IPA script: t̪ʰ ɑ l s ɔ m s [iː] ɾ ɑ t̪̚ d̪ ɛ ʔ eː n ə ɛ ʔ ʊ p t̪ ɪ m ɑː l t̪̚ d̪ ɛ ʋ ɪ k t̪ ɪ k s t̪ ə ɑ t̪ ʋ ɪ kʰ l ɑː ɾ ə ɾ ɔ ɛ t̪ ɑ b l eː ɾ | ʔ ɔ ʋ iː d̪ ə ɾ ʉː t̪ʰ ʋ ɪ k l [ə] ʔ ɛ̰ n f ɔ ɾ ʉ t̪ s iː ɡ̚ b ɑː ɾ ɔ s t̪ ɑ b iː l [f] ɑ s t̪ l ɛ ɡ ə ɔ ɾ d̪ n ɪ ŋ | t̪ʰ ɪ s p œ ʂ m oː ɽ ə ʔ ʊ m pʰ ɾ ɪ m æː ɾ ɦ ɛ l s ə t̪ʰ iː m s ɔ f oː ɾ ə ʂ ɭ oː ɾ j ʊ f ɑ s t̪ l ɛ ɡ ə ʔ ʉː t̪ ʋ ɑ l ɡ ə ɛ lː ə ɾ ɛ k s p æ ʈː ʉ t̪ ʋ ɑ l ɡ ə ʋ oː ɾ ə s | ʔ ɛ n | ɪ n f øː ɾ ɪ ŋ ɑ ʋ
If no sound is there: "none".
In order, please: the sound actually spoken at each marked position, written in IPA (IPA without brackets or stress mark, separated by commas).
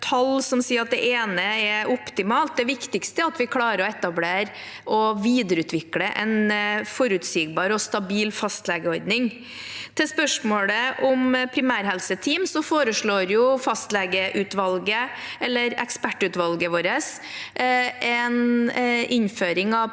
iː, ə, f